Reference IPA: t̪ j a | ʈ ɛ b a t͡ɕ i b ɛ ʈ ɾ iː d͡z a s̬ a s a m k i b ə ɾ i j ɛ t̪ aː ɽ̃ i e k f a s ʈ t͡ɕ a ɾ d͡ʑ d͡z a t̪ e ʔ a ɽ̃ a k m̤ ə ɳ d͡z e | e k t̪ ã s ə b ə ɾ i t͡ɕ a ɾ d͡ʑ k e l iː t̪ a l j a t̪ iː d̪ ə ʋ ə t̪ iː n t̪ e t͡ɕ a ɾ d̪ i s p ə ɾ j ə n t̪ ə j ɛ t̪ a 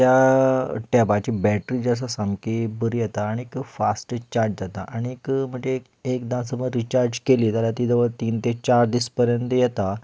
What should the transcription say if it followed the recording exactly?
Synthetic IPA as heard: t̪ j a | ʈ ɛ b a t͡ɕ i b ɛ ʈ ɾ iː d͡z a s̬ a s a m k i b ə ɾ i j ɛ t̪ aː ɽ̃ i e k f a s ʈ t͡ɕ a ɾ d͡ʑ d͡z a t̪ a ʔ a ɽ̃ i k m̤ ə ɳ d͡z e | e k d̪ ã s ə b ə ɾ i t͡ɕ a ɾ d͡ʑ k e l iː t̪ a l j a t̪ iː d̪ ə ʋ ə t̪ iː n t̪ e t͡ɕ a ɾ d̪ i s p ə ɾ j ə n t̪ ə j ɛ t̪ a